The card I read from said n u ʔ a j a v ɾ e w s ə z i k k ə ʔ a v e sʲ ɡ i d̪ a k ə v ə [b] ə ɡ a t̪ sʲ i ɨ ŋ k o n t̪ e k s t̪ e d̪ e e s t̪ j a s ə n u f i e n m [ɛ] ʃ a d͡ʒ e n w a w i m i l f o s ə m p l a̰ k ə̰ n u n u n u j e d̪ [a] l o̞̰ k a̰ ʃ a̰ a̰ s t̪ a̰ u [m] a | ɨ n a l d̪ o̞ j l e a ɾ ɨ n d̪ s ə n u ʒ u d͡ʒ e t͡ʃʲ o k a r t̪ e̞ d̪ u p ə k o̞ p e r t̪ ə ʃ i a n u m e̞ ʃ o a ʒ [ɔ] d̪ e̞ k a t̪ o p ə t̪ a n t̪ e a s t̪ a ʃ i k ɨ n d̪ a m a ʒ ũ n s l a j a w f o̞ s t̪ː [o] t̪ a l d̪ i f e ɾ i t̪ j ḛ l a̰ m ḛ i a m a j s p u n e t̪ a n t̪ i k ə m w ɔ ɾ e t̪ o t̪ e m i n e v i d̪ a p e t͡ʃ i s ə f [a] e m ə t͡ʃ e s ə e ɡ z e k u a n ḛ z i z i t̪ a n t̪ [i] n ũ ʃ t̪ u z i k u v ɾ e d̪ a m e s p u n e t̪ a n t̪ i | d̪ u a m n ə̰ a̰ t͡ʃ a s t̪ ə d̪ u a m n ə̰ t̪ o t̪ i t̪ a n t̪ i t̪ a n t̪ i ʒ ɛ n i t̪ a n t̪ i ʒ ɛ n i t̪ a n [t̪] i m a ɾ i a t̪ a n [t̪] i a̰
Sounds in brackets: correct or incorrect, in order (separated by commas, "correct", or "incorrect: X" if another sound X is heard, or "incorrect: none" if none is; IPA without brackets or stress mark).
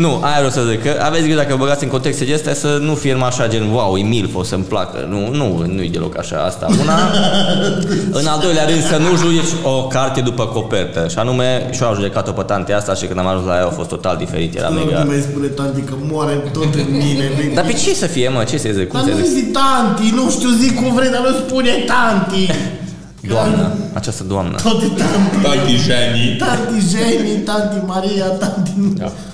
correct, incorrect: a, incorrect: e, incorrect: n, incorrect: u, correct, incorrect: i, correct, correct, correct